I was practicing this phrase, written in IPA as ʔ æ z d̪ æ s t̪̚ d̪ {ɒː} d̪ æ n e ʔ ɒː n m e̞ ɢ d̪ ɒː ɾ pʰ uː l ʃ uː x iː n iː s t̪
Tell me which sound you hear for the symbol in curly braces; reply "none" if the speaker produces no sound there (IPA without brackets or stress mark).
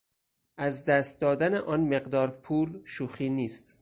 ɒː